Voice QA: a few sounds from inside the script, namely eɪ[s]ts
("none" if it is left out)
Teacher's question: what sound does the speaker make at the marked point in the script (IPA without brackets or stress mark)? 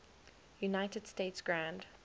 none